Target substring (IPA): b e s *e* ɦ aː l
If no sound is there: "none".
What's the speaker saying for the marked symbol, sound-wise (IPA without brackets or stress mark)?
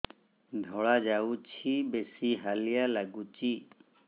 i